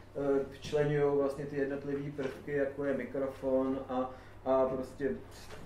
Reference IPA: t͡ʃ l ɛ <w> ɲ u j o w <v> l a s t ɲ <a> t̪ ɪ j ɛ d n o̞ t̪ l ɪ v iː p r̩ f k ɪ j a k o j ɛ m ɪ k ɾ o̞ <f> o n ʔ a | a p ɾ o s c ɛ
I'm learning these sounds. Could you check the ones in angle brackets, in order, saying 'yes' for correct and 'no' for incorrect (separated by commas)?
no, yes, no, yes